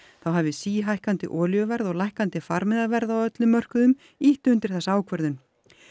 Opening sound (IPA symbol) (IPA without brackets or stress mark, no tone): θ